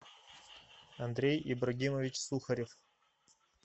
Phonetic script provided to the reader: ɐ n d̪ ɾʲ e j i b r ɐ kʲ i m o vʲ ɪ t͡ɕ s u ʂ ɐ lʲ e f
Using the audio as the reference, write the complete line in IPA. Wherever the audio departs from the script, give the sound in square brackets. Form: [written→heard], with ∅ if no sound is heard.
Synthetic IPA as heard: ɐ n d̪ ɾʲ e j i b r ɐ [kʲ→ɡʲ] i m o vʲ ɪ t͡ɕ s u [ʂ→x] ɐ [lʲ→ɾʲ] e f